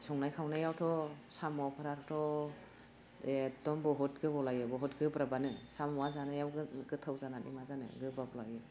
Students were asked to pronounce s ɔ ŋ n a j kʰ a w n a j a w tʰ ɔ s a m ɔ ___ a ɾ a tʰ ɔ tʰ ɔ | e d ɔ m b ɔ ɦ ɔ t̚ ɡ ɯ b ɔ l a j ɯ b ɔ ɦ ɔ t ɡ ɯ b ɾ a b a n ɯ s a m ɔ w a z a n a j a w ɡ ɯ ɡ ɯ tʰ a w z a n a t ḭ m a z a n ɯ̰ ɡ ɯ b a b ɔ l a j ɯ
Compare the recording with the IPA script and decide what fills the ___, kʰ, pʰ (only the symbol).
pʰ